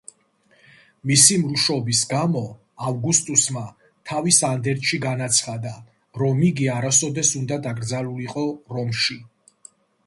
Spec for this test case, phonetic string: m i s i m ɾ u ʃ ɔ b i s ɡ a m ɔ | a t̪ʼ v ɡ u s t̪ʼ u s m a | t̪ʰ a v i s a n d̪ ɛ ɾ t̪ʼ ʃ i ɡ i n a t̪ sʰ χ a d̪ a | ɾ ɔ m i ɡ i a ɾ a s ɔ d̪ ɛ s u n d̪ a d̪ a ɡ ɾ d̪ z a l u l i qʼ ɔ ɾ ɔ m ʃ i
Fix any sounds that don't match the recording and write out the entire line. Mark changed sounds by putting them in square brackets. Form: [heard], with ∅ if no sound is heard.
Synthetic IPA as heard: m i s i m ɾ u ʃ ɔ b i s ɡ a m ɔ | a [∅] v ɡ u s t̪ʼ u s m a | t̪ʰ a v i s a n d̪ ɛ ɾ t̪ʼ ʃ i ɡ [a] n a t̪ sʰ χ a d̪ a | ɾ ɔ m i ɡ i a ɾ a s ɔ d̪ ɛ s u n d̪ a d̪ a ɡ ɾ d̪ z a l u l i qʼ ɔ ɾ ɔ m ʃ i